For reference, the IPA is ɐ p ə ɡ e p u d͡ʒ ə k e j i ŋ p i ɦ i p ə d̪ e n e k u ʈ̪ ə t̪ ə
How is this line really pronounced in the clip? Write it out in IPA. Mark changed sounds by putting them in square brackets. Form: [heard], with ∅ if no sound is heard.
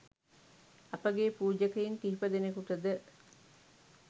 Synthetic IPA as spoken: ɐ p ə ɡ e p [uː] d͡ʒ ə k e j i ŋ [k] i ɦ i p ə d̪ e n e k u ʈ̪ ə [d̪] ə